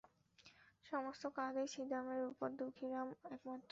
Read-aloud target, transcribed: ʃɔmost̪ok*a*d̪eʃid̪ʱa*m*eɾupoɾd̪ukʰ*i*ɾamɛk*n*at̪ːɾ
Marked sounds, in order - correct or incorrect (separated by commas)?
correct, correct, correct, incorrect